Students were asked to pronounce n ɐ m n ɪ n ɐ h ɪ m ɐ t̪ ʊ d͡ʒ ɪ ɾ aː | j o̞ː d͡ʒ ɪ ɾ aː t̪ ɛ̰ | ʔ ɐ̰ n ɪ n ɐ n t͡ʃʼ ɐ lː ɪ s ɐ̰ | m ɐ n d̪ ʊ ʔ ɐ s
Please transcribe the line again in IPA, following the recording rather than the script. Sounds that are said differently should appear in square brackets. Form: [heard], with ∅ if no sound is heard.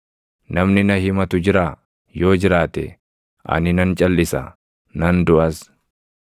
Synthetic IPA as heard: n ɐ m n ɪ n ɐ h ɪ m ɐ t̪ ʊ d͡ʒ ɪ ɾ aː | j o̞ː d͡ʒ ɪ ɾ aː t̪ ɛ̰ | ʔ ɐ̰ n ɪ n ɐ n t͡ʃʼ ɐ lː ɪ s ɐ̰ | [n] ɐ n d̪ ʊ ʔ ɐ s